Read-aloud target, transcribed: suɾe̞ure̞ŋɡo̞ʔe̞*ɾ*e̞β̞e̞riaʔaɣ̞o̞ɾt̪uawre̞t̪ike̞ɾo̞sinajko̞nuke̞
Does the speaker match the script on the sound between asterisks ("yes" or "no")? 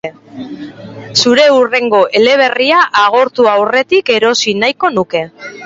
no